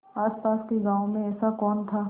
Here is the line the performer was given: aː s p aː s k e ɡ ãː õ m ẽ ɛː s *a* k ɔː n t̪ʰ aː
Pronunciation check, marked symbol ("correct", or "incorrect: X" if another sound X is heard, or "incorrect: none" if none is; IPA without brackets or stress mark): correct